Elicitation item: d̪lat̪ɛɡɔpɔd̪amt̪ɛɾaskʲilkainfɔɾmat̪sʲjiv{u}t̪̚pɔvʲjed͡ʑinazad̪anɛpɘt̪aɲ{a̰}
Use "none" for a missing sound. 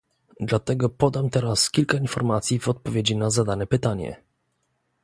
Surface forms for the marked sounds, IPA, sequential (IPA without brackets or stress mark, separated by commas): ɔ, ɛ̰